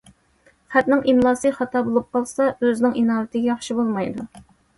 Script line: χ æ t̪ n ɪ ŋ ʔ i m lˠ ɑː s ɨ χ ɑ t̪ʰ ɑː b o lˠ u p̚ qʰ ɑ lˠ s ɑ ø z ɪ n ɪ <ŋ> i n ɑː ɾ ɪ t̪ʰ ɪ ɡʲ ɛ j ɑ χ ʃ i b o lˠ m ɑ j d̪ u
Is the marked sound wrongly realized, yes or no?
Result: no